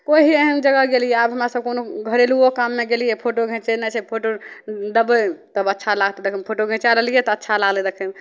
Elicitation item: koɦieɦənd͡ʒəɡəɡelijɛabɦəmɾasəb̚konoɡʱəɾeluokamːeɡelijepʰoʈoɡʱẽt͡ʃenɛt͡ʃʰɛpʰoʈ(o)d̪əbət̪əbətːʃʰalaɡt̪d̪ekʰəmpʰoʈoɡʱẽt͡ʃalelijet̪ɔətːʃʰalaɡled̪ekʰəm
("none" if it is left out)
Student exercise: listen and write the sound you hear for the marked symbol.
o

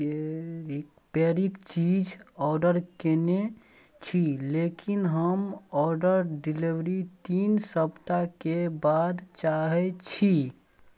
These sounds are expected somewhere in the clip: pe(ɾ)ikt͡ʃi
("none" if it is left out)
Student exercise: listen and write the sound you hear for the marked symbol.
ɾ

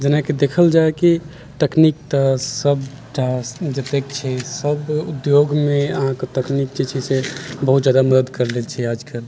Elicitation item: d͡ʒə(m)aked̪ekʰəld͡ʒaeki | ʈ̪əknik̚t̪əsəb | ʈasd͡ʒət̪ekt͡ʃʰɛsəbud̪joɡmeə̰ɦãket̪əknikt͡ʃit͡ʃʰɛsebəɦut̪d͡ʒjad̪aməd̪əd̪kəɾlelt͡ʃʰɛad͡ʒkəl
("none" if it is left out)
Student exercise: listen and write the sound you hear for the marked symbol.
n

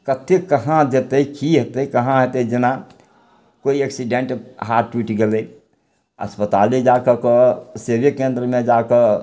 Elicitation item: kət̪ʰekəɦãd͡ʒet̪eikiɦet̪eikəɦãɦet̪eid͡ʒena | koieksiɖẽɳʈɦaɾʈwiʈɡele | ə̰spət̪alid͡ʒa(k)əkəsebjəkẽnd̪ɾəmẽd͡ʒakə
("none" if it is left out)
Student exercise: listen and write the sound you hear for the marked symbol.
k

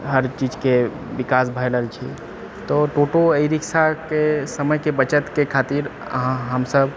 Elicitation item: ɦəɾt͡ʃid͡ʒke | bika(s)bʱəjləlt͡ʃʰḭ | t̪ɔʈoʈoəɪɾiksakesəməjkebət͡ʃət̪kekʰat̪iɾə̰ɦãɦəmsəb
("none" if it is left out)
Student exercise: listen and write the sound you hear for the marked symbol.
s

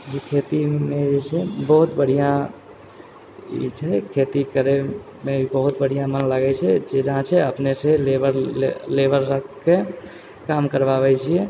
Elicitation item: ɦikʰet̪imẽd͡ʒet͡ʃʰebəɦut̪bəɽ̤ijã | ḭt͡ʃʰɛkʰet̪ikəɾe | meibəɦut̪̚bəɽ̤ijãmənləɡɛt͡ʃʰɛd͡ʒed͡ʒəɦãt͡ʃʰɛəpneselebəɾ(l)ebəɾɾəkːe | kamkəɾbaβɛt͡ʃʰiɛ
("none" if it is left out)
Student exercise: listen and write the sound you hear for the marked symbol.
l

